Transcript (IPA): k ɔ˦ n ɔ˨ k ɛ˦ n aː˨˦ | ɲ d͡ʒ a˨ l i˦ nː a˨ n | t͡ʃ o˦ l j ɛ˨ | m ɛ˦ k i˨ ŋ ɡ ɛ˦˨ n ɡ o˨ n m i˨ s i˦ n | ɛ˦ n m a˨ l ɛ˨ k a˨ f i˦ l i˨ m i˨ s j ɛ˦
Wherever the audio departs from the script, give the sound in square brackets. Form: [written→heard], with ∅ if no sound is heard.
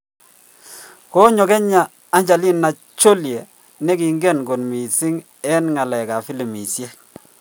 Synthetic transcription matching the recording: k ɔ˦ [n→ɲ] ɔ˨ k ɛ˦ [n→ɲ] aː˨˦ | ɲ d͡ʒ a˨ l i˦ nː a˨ [n→∅] | t͡ʃ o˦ l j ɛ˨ | [m→n] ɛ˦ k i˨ ŋ ɡ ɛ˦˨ n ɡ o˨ n m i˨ s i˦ [n→ŋ] | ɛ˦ n [m→ŋ] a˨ l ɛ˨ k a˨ f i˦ l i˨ m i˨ s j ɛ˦